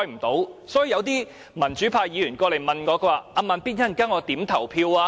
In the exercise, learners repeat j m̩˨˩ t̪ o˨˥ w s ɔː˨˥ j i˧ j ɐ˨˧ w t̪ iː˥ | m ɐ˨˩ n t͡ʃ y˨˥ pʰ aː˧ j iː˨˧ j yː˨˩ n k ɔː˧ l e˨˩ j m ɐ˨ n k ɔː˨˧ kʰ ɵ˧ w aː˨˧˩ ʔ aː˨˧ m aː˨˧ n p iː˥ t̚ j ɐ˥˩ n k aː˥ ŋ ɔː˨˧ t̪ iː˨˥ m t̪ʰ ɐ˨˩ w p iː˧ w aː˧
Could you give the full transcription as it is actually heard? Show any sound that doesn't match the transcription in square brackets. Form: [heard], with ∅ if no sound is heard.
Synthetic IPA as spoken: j m̩˨˩ t̪ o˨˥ w s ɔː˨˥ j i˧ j ɐ˨˧ w t̪ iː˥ | m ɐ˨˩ n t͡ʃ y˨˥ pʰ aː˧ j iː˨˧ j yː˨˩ n k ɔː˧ l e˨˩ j m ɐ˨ n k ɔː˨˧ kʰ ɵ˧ w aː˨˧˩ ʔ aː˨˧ m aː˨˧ n p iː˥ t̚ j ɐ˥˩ n k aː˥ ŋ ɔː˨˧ t̪ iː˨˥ m t̪ʰ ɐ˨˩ w [pʰ] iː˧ w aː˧